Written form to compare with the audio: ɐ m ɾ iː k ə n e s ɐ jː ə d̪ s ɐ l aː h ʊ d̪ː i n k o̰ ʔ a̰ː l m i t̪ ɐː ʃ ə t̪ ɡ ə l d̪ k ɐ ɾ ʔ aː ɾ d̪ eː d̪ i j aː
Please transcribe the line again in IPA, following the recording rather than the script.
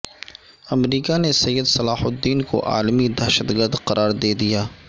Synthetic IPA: ɐ m ɾ iː k a n e s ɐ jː ə d̪ s ɐ l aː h ʊ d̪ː iː n k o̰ ʔ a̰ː l m i d̪ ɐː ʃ ə t̪ ɡ ə ɾ d̪ q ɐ ɾ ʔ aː ɾ d̪ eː d̪ i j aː